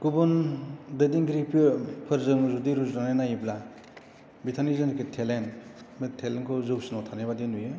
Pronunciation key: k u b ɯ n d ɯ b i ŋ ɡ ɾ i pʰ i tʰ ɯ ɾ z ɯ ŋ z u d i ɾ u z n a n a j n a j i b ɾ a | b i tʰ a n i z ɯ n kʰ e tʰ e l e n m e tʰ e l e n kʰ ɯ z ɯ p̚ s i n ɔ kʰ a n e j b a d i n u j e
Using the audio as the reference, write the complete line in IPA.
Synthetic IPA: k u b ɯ n d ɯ d i ŋ ɡ ɾ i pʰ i pʰ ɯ ɾ z ɯ ŋ z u d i ɾ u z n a n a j n a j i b l a | b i tʰ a n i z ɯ n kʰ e tʰ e l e n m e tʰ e l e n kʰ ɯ z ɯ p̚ s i n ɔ tʰ a n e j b a d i n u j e